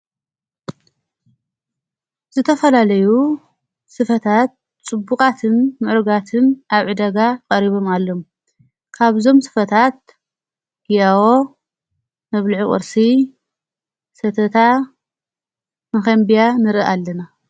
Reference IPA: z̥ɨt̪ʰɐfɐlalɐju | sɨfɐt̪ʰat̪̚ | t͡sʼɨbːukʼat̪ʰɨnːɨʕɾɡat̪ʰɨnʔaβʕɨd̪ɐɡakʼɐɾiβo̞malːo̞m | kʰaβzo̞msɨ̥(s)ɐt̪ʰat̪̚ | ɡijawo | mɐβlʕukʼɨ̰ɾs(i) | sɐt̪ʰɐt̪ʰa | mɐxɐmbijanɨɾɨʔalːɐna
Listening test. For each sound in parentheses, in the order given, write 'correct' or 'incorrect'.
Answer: incorrect, correct

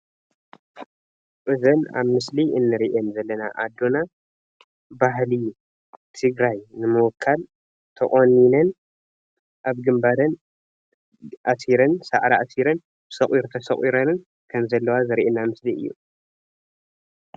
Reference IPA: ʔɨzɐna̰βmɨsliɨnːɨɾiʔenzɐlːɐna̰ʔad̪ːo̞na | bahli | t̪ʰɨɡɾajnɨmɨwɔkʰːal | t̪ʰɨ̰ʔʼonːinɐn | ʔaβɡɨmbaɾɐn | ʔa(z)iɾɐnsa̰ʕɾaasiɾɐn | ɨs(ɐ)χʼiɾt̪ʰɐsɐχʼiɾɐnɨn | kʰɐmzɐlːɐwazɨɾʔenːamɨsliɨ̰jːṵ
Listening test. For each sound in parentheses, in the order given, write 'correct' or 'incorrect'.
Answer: incorrect, correct

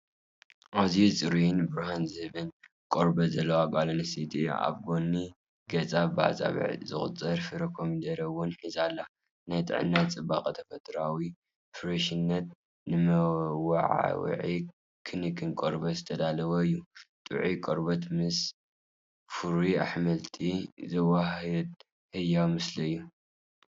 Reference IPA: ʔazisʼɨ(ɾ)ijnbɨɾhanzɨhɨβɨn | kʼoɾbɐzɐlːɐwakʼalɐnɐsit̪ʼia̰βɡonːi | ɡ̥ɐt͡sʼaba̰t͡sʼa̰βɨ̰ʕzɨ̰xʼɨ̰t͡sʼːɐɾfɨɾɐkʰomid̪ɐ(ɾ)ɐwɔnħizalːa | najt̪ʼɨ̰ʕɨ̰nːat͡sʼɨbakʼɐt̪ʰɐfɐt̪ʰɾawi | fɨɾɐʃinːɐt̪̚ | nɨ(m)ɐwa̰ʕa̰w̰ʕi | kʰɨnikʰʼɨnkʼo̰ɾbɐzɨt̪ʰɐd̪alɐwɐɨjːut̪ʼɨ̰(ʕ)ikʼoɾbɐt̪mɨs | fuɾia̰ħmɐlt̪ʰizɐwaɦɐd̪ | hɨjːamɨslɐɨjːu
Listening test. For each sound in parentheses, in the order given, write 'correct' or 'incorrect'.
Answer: correct, correct, correct, correct

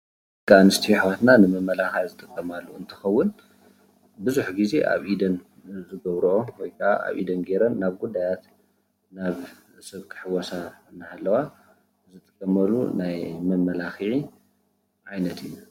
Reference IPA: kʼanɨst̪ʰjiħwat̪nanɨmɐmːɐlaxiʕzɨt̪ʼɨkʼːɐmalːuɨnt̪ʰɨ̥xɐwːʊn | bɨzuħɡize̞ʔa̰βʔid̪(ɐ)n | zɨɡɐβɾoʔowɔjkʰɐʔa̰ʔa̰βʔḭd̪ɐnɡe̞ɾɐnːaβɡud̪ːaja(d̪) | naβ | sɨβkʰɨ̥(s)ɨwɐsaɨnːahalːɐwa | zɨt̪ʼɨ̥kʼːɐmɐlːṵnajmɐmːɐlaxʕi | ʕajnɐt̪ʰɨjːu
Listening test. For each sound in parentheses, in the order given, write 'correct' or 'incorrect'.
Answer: correct, incorrect, incorrect

